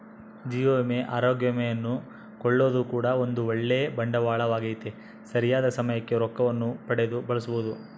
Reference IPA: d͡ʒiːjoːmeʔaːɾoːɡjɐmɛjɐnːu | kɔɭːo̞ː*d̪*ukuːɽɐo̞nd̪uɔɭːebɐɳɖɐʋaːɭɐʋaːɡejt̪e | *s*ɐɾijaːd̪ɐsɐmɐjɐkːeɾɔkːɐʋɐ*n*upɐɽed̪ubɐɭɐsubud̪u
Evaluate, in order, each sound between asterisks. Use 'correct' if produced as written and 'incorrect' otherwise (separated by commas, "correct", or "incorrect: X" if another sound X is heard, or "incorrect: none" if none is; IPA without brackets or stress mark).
correct, correct, incorrect: nː